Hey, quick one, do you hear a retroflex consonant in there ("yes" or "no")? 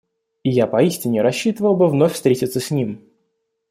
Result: no